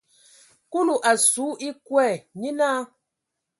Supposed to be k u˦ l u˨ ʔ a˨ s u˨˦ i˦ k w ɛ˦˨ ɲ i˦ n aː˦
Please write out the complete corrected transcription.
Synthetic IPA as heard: k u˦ l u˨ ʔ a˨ s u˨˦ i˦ k w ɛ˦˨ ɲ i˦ n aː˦